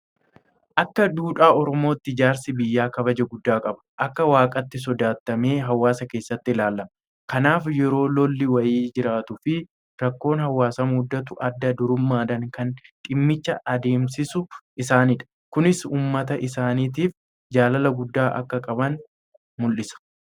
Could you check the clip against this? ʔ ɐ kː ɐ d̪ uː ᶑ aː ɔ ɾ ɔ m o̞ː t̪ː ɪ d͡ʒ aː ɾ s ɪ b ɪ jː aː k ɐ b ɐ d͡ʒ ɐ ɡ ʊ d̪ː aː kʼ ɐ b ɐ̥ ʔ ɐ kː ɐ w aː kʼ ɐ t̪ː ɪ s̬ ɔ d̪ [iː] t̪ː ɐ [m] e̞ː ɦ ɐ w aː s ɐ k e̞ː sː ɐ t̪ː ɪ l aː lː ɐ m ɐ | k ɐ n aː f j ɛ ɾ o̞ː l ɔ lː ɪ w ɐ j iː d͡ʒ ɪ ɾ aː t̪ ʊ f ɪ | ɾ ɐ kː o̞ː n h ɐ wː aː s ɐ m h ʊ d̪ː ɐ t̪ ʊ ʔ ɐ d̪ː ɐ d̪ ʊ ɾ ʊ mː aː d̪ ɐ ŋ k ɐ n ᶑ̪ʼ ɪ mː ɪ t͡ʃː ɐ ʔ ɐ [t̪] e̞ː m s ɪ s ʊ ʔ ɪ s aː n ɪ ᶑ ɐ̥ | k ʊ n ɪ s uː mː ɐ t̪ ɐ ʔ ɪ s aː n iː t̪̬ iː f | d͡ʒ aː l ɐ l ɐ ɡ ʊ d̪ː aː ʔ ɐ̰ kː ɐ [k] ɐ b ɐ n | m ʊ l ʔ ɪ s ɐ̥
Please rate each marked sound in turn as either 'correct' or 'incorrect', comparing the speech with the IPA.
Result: incorrect, correct, incorrect, incorrect

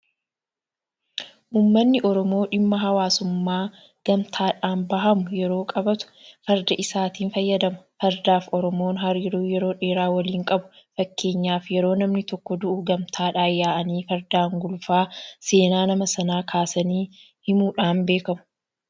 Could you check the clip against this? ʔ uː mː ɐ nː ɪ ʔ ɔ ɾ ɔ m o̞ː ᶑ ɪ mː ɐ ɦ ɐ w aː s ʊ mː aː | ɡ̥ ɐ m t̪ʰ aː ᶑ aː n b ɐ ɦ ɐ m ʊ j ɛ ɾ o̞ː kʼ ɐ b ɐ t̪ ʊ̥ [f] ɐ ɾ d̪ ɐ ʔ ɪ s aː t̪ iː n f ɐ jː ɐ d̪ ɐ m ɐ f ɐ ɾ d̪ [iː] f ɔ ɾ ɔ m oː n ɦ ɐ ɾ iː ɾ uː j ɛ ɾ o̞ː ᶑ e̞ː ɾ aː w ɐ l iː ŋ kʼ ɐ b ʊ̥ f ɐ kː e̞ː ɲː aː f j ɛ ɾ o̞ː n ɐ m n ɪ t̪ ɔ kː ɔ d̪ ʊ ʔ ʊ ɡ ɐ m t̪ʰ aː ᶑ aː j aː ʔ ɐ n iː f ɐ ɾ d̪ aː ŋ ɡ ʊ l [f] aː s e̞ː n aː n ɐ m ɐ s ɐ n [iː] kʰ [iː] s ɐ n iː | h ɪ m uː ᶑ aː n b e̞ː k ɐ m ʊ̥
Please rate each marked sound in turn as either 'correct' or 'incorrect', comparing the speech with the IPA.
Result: correct, incorrect, correct, incorrect, incorrect

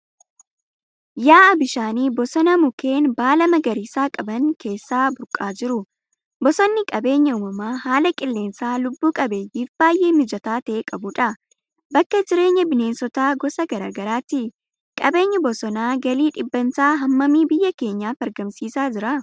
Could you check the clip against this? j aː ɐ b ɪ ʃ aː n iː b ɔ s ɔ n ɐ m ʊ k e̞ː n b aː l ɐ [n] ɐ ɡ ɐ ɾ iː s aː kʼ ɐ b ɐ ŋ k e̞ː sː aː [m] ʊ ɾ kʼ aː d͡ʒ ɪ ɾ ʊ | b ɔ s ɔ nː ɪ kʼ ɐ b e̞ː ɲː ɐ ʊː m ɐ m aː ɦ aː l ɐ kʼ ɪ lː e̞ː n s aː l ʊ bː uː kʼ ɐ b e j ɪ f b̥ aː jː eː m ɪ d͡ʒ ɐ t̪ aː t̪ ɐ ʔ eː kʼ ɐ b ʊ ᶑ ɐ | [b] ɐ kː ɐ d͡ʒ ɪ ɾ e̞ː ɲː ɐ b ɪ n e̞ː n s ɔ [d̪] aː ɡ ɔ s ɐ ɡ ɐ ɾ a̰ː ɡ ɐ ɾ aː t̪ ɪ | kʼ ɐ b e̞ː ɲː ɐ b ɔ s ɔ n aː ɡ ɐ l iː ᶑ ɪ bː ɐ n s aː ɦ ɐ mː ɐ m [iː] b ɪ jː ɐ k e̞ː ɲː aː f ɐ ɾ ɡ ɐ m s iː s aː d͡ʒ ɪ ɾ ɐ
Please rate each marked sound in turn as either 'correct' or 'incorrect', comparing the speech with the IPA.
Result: incorrect, incorrect, correct, incorrect, correct

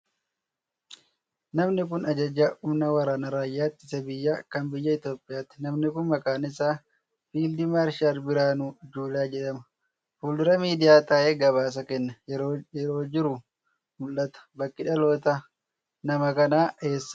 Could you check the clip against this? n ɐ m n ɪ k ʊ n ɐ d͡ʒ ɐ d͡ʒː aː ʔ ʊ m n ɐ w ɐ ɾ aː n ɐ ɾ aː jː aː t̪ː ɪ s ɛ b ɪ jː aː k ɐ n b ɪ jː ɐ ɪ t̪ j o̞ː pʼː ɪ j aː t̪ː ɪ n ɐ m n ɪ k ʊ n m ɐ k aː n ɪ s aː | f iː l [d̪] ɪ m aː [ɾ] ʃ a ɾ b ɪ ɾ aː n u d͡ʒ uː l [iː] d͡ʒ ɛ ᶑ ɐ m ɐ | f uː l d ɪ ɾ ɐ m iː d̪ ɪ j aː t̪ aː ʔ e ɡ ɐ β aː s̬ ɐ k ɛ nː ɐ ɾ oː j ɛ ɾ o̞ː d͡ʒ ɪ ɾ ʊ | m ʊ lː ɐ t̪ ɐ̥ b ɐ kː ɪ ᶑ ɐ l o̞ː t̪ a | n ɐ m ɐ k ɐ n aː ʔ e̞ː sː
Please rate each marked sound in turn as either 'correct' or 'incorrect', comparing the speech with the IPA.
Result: correct, correct, incorrect

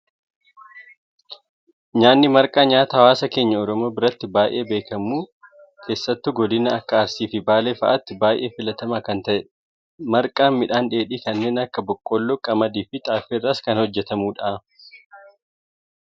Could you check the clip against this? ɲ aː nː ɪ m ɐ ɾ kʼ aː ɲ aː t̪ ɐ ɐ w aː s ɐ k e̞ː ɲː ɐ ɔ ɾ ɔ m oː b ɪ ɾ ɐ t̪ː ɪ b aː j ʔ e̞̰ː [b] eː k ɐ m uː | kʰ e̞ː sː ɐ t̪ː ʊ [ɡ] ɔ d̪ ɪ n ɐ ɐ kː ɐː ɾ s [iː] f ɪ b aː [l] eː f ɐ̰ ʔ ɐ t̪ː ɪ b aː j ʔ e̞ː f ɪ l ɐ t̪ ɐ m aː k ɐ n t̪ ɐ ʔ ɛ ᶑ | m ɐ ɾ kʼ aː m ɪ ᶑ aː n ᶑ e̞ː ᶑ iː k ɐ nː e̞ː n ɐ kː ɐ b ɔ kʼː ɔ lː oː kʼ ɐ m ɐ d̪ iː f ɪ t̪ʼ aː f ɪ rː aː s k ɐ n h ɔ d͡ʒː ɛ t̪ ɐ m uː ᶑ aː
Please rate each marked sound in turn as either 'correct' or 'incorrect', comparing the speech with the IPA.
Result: correct, correct, correct, correct

